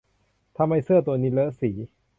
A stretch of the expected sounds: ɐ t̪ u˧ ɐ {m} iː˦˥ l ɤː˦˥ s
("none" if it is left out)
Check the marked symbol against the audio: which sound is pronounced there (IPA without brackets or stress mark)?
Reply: n